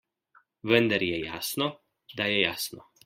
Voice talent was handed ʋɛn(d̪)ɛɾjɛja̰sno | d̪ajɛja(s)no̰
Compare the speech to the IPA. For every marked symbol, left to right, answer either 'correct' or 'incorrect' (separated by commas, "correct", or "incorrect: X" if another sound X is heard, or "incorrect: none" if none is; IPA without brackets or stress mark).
correct, correct